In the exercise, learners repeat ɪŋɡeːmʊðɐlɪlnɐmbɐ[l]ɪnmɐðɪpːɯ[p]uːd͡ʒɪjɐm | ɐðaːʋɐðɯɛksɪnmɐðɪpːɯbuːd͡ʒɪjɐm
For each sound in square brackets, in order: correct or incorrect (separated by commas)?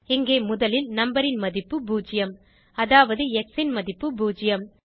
incorrect, incorrect